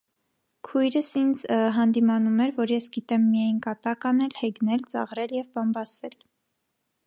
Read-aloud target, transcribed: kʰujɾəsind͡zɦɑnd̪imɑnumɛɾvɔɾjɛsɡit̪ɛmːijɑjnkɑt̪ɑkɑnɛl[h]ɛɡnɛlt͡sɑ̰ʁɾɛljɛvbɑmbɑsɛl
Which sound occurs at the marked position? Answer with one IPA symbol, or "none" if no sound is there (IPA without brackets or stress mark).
h